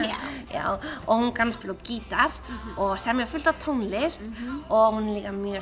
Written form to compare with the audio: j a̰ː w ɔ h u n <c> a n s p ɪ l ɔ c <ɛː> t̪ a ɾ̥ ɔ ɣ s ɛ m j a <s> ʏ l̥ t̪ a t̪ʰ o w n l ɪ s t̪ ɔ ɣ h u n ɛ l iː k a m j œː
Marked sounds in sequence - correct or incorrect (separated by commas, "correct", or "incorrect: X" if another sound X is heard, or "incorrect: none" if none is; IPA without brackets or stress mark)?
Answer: incorrect: k, incorrect: iː, incorrect: f